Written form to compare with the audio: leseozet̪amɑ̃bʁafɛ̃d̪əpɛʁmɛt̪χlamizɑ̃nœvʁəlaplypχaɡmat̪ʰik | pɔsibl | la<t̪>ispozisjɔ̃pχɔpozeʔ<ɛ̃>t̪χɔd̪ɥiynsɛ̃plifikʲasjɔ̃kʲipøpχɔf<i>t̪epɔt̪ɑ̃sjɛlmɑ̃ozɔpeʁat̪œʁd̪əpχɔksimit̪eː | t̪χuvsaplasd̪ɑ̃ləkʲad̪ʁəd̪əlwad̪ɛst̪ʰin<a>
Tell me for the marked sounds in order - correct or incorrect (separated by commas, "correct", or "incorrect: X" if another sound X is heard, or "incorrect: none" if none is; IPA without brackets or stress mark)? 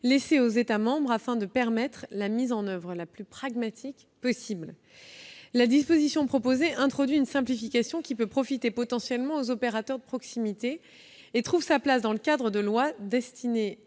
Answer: incorrect: d̪, correct, correct, incorrect: e